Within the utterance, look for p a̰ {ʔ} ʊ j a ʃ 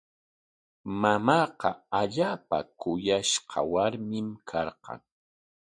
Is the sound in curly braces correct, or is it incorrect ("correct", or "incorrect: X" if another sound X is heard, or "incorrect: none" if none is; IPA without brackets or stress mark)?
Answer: incorrect: k